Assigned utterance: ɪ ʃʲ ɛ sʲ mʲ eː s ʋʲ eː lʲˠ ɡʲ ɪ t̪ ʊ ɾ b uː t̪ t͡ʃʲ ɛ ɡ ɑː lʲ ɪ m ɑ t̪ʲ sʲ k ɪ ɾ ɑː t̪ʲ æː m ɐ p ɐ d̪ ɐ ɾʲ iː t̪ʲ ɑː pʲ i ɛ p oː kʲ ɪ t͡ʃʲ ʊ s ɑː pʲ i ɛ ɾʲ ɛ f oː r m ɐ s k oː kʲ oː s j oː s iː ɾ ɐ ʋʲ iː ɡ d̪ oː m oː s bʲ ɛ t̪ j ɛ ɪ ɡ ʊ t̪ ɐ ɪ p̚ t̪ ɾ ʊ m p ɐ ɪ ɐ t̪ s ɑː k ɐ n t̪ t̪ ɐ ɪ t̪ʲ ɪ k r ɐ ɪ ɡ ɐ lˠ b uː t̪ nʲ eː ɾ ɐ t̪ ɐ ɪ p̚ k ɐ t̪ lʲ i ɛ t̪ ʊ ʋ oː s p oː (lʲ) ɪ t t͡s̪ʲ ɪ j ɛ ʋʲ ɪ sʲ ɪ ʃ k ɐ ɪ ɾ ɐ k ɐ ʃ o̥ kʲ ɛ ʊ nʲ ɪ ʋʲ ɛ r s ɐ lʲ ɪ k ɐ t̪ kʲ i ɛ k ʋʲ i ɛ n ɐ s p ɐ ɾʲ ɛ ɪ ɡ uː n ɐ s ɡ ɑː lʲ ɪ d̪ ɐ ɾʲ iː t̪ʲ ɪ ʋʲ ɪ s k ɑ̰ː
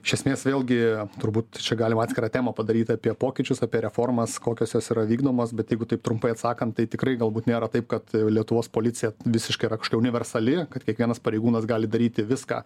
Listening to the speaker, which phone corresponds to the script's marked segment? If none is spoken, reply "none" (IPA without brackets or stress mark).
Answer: lʲ